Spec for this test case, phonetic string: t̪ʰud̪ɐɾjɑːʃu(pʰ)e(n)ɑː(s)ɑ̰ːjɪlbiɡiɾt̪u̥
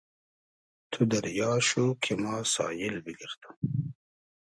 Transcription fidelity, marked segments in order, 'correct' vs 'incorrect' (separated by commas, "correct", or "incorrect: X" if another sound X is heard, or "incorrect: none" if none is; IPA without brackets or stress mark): incorrect: kʰ, incorrect: m, correct